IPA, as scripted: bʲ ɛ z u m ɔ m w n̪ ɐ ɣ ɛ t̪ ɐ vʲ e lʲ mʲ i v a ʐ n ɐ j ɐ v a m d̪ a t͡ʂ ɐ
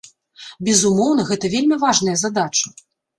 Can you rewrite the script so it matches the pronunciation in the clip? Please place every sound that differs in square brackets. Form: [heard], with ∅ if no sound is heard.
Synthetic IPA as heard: bʲ ɛ z u m ɔ [∅] w n̪ ɐ ɣ ɛ t̪ ɐ vʲ e lʲ mʲ i v a ʐ n ɐ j ɐ [z] a [∅] d̪ a t͡ʂ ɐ